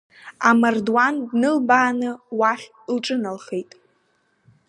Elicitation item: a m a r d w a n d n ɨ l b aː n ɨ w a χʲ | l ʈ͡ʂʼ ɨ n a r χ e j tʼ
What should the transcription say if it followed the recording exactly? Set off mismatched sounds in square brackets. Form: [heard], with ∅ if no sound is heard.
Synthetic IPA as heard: a m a r d w a n d n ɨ l b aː n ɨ w a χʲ | l ʈ͡ʂʼ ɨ n a [l] χ e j tʼ